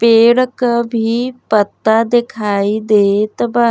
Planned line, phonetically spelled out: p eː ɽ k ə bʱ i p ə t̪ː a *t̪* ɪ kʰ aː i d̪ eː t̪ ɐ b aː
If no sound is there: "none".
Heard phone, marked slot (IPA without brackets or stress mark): d̪